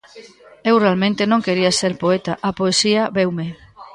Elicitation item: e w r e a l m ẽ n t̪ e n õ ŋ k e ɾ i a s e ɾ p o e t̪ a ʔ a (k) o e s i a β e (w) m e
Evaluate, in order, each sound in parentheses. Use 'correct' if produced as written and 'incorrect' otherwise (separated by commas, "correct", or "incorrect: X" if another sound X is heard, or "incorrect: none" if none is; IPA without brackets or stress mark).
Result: incorrect: p, correct